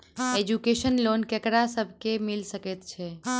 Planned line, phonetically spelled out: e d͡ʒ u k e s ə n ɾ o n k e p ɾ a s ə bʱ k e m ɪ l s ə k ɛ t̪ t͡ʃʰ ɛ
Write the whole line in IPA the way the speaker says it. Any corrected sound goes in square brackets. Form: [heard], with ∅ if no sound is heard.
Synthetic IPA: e d͡ʒ u k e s ə n [l] o n k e [k] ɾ a s ə bʱ k e m [i] l s ə k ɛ t̪ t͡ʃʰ ɛ